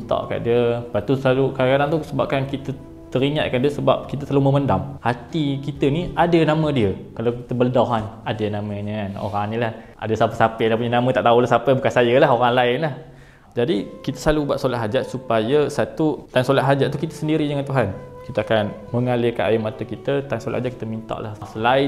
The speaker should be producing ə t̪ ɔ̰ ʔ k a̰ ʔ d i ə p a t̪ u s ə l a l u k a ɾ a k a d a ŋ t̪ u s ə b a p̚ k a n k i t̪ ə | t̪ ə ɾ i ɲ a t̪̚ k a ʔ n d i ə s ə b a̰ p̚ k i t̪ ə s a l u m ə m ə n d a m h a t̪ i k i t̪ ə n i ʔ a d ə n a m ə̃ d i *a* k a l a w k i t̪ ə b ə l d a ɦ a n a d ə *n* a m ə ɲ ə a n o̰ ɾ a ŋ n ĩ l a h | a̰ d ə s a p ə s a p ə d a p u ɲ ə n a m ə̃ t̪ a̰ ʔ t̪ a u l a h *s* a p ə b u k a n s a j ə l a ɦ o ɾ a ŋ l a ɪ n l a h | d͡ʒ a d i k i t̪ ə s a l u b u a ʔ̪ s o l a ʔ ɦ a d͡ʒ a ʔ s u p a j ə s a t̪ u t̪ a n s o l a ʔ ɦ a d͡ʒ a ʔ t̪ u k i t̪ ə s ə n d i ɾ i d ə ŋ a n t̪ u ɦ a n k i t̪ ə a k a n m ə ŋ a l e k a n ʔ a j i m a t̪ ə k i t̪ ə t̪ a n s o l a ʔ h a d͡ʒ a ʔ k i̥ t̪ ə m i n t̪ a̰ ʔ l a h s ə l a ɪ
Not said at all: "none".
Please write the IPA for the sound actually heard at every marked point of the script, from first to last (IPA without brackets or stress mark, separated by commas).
ə, n, s